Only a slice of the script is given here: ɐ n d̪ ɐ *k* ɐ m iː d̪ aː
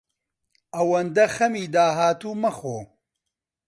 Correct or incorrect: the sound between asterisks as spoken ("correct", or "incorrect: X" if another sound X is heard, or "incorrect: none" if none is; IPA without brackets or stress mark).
incorrect: x